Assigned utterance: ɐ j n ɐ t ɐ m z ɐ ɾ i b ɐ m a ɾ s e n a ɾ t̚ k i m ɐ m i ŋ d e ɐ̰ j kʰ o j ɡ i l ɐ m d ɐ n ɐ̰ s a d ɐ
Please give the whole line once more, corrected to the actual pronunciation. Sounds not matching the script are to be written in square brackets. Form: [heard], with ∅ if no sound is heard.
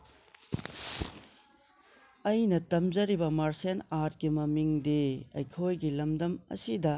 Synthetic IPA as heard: ɐ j n ɐ t ɐ m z ɐ ɾ i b ɐ m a ɾ s e n a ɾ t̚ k i m ɐ m i ŋ d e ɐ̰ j kʰ o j ɡ i l ɐ m d ɐ [m] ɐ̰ s [i] d ɐ